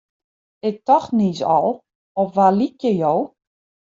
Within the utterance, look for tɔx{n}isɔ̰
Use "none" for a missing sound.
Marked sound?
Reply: n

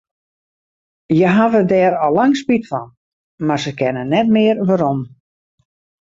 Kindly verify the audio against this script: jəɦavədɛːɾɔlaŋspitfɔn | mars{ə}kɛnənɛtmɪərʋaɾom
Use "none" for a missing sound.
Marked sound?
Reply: ə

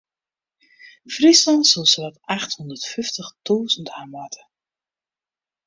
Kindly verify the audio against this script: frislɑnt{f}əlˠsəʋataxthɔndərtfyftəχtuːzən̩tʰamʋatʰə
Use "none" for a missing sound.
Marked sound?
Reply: s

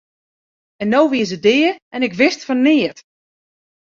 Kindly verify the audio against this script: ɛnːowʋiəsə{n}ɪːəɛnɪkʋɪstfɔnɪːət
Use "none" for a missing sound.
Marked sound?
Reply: d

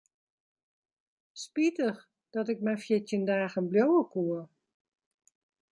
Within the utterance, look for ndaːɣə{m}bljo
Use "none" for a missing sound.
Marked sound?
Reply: n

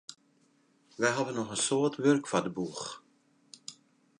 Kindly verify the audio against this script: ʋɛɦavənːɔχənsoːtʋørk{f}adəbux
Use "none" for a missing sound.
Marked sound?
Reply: f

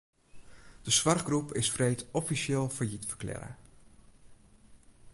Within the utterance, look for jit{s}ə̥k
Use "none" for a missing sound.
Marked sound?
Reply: f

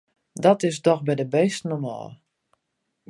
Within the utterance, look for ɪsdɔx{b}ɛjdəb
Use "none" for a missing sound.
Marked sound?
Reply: b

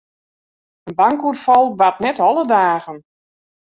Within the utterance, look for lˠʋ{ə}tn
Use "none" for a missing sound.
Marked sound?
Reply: a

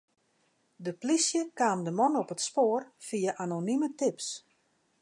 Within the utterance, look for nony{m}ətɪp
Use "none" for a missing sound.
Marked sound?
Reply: m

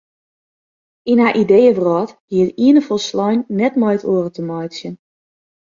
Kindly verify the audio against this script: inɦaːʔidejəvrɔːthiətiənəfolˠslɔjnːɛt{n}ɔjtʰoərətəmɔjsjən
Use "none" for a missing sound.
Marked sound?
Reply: m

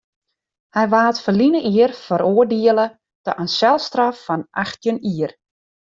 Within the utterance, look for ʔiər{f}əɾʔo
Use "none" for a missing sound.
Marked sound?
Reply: f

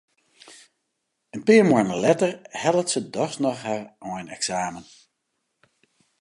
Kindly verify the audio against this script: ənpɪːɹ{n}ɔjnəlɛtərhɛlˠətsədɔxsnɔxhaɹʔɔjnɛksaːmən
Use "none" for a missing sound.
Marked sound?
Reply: m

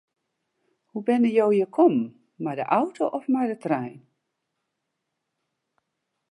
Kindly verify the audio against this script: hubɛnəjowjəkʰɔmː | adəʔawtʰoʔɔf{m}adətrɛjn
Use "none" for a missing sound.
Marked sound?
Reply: m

